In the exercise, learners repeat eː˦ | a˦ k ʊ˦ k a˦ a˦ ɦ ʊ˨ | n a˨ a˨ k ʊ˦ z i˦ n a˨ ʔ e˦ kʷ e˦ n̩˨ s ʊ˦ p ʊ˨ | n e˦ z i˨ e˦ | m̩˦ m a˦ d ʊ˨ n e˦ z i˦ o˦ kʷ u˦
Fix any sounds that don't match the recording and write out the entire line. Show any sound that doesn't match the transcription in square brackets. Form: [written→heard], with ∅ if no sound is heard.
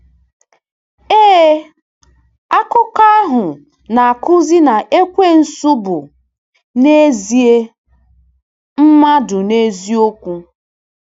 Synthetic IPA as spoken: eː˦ | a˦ k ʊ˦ k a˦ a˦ ɦ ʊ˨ | n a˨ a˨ k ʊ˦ z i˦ n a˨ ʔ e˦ kʷ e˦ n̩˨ s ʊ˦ [p→b] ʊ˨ | n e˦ z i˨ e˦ | m̩˦ m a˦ d ʊ˨ n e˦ z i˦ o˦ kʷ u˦

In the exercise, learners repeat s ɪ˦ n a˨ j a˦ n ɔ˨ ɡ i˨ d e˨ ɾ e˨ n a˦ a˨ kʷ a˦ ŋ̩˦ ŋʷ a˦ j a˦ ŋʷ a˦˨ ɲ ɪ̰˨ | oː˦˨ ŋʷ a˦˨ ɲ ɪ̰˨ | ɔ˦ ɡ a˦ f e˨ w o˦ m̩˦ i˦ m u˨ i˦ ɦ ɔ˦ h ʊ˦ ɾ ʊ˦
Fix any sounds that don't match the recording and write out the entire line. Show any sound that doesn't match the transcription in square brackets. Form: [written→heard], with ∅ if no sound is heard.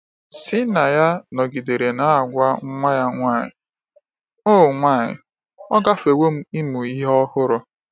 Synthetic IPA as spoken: s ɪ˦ n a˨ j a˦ n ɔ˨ ɡ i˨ d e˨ ɾ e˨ n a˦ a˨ [kʷ→ɡʷ] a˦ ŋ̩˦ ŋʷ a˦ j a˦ ŋʷ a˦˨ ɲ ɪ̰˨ | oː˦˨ ŋʷ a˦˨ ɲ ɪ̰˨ | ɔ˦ ɡ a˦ f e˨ w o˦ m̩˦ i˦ m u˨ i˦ ɦ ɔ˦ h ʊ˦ ɾ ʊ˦

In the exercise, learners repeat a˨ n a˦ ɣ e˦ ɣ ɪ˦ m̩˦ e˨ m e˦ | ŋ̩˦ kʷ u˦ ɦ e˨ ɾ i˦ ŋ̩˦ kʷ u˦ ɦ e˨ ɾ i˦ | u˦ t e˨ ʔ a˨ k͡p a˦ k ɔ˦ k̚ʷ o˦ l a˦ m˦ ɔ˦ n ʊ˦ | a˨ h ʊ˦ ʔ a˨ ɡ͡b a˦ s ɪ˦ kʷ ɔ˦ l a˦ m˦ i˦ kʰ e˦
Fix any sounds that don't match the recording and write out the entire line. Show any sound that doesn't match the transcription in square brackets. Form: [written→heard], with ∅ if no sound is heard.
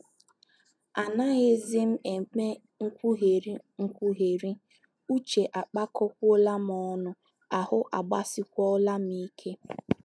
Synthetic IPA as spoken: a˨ n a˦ ɣ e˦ [ɣ→z] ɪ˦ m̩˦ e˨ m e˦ | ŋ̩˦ kʷ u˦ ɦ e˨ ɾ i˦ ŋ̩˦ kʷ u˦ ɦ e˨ ɾ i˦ | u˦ [t→t͡ʃ] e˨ ʔ a˨ k͡p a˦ k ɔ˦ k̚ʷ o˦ l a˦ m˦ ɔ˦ n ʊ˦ | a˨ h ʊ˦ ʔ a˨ ɡ͡b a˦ s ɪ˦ kʷ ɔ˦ l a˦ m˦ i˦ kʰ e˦

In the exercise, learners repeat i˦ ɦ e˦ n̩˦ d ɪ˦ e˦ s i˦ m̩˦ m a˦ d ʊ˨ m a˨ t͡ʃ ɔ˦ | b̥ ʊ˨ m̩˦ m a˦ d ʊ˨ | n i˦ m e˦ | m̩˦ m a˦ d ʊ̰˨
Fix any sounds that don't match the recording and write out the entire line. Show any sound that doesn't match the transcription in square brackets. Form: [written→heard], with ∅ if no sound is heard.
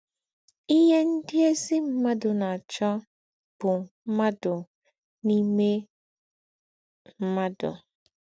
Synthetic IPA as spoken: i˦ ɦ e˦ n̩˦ d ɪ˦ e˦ s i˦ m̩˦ m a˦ d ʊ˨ [m→n] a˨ t͡ʃ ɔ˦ | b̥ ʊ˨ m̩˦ m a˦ d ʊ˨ | n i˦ m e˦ | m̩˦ m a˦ d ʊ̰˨

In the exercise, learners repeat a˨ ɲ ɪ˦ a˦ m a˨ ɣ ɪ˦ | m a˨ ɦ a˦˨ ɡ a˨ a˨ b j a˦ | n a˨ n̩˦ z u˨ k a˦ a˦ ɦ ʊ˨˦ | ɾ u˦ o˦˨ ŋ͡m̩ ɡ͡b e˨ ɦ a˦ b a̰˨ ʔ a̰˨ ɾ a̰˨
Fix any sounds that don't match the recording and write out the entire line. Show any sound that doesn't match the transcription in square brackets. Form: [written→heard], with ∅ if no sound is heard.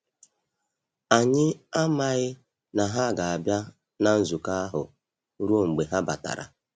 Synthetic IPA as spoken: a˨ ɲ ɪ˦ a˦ m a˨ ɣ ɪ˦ | [m→n] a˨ ɦ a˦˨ ɡ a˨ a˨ b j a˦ | n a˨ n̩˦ z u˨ k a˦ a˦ ɦ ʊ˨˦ | ɾ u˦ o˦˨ ŋ͡m̩ ɡ͡b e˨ ɦ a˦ b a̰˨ [ʔ→t] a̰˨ ɾ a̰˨

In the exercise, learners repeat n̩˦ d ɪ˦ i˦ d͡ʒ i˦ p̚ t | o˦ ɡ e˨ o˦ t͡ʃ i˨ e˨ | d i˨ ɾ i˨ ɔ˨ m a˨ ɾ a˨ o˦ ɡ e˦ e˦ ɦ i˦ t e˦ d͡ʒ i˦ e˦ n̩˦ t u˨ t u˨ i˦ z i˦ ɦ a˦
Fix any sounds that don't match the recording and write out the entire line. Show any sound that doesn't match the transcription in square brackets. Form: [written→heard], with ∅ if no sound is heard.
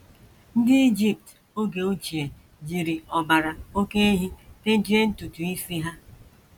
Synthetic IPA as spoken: n̩˦ d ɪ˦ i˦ d͡ʒ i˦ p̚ t | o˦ ɡ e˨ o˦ t͡ʃ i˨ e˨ | [d→d͡ʒ] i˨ ɾ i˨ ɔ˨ [m→b] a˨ ɾ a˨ o˦ [ɡ→k] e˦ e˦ ɦ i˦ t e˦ d͡ʒ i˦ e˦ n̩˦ t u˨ t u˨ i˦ [z→s] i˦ ɦ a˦

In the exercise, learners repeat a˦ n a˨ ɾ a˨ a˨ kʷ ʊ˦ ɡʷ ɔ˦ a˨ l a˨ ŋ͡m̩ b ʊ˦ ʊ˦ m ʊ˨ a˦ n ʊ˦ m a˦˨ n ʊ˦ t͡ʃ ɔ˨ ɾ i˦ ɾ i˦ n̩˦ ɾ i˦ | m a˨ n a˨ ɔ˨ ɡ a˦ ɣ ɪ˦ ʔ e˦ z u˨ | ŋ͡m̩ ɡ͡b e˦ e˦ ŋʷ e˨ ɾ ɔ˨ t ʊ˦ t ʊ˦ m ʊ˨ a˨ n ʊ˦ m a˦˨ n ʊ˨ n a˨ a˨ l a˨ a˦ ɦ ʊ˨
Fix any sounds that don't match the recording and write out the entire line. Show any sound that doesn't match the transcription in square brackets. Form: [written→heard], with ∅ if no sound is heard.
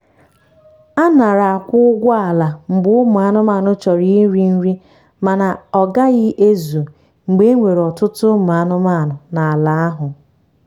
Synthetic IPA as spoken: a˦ n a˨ ɾ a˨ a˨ kʷ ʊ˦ ɡʷ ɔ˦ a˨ l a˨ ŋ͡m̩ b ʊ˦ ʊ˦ m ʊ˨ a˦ n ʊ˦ m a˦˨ n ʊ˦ t͡ʃ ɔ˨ ɾ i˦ ɾ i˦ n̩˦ ɾ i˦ | m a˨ n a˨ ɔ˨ ɡ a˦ ɣ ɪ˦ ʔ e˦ z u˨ | ŋ͡m̩ ɡ͡b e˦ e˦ ŋʷ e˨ ɾ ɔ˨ t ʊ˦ t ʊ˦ m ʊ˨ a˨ n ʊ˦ m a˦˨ n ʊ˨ n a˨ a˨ l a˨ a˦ ɦ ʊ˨

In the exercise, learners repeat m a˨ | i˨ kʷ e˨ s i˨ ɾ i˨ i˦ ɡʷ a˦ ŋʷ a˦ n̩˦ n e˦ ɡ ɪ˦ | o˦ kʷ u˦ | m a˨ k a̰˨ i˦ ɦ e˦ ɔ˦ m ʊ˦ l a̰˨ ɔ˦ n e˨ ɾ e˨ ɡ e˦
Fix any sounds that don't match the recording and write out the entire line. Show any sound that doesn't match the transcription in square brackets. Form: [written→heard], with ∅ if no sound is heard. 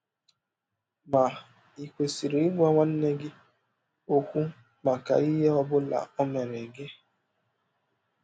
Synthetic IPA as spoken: m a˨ | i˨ kʷ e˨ s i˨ ɾ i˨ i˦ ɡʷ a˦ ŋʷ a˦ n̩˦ n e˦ ɡ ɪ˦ | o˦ kʷ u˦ | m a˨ k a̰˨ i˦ ɦ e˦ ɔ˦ [m→b] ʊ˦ l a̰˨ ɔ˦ [n→m] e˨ ɾ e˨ ɡ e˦

